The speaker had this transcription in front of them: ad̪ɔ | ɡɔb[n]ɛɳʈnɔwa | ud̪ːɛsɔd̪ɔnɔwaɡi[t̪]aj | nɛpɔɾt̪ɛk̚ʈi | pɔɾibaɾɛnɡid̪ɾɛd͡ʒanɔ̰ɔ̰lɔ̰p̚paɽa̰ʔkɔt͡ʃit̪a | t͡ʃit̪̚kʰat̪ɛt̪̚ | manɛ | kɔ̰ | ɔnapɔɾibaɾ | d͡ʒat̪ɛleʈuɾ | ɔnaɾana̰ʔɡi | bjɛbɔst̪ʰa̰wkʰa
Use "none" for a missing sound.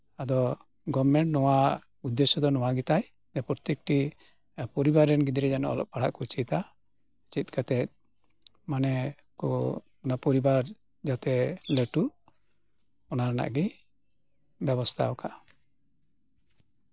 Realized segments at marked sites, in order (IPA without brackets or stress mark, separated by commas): m, t̪